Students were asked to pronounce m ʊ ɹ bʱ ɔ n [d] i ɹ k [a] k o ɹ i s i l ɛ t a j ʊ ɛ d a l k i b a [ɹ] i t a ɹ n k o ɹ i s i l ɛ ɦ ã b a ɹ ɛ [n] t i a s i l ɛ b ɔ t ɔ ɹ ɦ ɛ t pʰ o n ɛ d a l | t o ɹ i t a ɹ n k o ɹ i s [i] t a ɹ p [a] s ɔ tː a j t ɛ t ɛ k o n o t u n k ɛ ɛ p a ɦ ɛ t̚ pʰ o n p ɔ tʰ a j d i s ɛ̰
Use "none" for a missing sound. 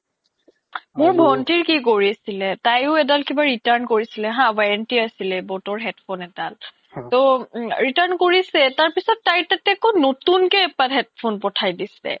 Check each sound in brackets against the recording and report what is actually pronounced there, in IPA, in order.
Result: t, i, ɹ, n, ɛ, i

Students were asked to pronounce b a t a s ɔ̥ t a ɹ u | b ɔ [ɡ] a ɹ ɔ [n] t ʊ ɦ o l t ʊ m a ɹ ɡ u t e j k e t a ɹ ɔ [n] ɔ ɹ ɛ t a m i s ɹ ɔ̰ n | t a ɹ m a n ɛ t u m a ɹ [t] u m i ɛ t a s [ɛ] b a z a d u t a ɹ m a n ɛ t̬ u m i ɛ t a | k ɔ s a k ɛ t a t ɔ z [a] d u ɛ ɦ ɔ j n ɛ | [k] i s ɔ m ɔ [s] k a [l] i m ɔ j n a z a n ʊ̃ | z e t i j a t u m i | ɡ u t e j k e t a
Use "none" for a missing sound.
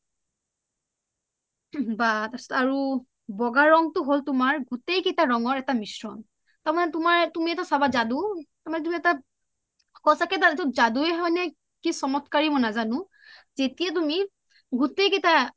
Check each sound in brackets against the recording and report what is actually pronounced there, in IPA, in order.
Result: ɡ, ŋ, ŋ, t, a, a, k, t, ɹ

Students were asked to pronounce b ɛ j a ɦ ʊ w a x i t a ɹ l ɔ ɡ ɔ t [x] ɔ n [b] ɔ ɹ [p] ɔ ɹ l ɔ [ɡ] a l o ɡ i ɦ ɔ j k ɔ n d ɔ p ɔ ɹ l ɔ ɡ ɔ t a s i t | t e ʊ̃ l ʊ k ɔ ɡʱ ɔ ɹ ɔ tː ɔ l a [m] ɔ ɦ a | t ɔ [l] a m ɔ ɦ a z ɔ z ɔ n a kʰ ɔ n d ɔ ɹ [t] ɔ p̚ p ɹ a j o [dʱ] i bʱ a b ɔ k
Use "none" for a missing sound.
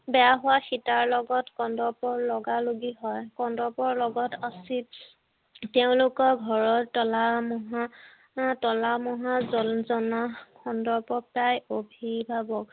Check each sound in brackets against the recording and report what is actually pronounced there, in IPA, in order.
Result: k, d, p, ɡ, m, l, p, bʱ

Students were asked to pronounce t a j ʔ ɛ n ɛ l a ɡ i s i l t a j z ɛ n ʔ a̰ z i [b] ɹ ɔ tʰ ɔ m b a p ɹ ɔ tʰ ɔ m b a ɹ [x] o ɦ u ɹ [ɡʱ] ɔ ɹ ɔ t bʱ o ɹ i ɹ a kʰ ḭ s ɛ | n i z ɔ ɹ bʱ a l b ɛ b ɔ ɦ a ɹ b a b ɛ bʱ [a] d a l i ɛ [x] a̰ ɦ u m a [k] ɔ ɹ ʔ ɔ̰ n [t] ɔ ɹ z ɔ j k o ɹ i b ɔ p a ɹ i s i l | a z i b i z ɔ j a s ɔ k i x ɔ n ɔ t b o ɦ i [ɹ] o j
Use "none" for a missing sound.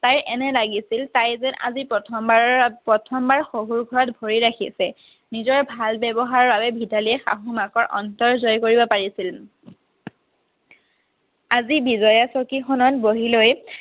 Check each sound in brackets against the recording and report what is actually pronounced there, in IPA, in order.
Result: p, x, ɡʱ, i, x, k, t, l

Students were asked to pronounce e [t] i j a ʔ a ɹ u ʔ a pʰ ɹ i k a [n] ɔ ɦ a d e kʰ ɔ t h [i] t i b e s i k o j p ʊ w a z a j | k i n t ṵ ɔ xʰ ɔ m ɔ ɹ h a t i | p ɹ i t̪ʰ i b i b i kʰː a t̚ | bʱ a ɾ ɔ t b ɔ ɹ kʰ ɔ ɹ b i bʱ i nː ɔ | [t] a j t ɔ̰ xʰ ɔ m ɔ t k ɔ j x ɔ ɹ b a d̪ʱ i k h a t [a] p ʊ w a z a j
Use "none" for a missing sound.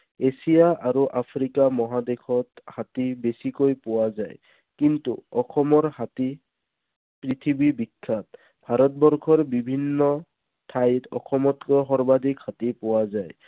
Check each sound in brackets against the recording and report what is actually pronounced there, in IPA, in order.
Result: s, m, a, tʰ, i

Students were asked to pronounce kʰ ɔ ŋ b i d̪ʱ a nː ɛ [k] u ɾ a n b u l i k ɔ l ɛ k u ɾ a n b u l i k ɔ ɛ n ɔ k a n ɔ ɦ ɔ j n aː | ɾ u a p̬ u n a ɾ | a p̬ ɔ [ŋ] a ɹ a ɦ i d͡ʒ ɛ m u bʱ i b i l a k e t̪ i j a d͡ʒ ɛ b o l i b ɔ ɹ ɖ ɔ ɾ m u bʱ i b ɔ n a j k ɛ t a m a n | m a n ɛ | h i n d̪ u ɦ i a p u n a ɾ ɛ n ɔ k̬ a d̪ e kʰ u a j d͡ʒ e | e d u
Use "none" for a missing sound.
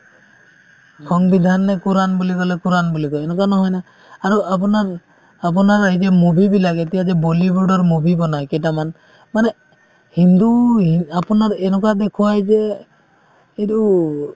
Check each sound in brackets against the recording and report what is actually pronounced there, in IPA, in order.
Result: k, n

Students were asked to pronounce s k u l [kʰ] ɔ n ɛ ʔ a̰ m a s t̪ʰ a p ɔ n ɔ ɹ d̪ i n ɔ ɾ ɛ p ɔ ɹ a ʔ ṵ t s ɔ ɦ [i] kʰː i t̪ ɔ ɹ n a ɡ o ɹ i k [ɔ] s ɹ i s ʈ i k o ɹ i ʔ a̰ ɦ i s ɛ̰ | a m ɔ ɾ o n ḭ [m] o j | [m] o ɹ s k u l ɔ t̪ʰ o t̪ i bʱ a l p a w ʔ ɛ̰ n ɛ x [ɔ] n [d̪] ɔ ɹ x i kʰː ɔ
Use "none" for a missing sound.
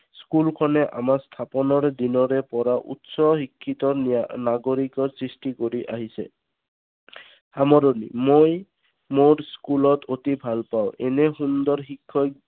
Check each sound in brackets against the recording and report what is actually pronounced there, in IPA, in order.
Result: kʰ, i, ɔ, m, m, u, d̪

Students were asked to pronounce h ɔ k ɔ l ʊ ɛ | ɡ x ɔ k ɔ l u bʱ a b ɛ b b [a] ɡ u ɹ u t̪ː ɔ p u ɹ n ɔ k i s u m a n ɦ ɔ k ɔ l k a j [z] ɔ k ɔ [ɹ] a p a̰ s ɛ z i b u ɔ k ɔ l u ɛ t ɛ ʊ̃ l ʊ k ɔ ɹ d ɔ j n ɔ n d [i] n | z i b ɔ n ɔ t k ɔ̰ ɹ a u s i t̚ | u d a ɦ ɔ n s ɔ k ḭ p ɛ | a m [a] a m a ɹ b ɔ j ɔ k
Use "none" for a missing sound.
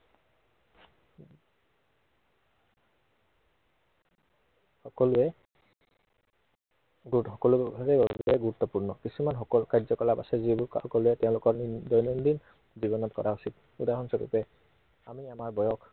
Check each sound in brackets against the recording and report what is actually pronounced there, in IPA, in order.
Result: ɛ, z, l, i, i

